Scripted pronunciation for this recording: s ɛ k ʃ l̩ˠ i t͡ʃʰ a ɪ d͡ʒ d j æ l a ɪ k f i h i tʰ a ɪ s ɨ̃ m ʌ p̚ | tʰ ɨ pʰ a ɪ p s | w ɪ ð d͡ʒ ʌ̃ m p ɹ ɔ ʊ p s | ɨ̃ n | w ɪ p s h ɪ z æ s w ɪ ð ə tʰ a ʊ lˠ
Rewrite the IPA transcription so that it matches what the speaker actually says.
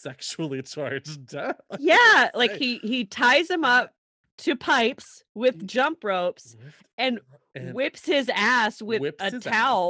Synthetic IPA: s ɛ k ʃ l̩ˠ i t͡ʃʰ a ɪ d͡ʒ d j æ l a ɪ k h i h i tʰ a ɪ z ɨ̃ m ʌ p̚ | tʰ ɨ pʰ a ɪ p s | w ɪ ð d͡ʒ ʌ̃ m p ɹ o ʊ p s | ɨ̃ n | w ɪ p s h ɪ z æ s w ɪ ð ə tʰ a ʊ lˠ